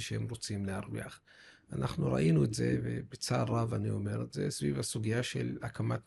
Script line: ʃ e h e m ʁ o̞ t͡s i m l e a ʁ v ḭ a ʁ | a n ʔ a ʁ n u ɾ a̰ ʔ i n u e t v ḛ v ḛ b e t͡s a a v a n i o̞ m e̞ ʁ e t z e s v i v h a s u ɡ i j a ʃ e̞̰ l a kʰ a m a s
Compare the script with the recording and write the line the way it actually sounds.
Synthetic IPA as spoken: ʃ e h e m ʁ o̞ t͡s i m l e a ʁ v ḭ a χ | a n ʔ a χ n u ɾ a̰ ʔ i n u e t z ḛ v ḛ b e t͡s a a v a n i o̞ m e̞ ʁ e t z e s v i v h a s u ɡ i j a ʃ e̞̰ l a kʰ a m a t